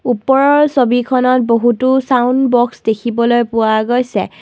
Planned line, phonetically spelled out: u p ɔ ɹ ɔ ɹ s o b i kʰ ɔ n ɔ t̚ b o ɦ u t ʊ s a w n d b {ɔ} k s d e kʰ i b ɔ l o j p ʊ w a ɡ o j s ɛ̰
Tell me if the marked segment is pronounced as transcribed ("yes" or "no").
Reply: yes